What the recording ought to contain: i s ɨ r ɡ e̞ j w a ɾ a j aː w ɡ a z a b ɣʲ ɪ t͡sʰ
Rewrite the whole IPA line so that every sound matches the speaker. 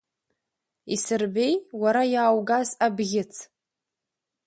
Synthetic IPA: i s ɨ r b e̞ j w a ɾ a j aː w ɡ a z a b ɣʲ ɪ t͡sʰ